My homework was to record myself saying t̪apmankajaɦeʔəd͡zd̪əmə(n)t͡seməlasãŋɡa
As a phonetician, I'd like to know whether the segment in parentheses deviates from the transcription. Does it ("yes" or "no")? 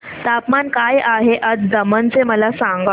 no